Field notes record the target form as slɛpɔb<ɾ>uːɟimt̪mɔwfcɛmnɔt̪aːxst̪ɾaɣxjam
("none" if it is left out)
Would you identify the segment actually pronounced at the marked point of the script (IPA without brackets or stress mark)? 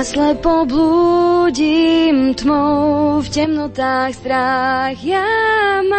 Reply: l